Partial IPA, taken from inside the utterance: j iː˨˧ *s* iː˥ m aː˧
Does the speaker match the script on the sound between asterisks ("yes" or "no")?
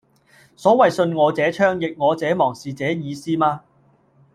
yes